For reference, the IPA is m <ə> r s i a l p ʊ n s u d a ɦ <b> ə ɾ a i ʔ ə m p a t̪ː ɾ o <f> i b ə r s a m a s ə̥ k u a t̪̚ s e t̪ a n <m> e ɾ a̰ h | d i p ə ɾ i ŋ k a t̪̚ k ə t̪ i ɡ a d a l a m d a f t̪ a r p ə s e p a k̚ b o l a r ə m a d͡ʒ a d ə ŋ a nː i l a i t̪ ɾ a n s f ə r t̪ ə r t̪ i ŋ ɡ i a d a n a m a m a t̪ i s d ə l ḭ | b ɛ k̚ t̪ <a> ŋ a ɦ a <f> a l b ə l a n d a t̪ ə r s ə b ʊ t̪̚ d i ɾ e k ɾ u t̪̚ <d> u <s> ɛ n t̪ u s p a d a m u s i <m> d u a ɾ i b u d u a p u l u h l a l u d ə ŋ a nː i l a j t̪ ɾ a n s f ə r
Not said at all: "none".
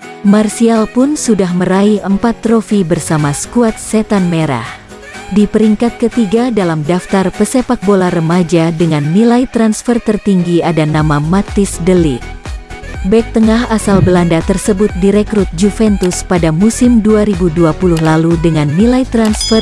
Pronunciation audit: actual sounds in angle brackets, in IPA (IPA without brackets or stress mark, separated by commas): a, m, f, m, ə, s, d͡ʒ, f, m